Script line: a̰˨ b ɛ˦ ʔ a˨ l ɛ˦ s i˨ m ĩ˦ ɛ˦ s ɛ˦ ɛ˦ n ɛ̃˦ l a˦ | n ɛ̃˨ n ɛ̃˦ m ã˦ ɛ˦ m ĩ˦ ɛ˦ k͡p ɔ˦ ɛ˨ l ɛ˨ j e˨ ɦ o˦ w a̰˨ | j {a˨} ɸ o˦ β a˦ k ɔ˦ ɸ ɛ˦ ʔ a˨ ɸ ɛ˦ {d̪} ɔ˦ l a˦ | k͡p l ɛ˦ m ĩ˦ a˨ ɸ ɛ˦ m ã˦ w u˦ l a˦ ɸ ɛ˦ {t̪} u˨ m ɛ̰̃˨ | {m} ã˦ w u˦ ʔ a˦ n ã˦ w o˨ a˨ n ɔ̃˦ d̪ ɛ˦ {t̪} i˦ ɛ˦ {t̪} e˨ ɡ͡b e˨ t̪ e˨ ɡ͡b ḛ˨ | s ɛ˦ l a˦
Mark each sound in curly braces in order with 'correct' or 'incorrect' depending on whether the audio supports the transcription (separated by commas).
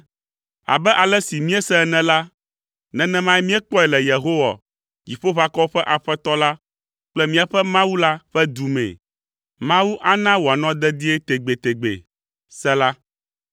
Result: incorrect, incorrect, incorrect, correct, incorrect, correct